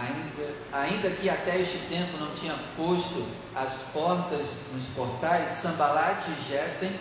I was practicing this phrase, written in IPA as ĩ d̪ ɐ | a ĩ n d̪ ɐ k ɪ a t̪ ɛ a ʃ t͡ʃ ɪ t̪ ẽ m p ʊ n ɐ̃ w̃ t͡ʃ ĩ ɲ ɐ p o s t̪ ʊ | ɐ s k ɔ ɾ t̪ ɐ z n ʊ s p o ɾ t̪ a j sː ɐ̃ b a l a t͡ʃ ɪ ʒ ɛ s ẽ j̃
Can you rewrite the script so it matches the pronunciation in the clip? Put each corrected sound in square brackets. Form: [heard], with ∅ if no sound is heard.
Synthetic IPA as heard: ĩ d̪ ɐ | a ĩ n d̪ ɐ k ɪ a t̪ ɛ [e] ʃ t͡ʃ ɪ t̪ ẽ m p ʊ n ɐ̃ w̃ t͡ʃ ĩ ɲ ɐ p o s t̪ ʊ | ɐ s [p] ɔ ɾ t̪ ɐ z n ʊ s p o ɾ t̪ a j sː ɐ̃ b a l a t͡ʃ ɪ ʒ ɛ s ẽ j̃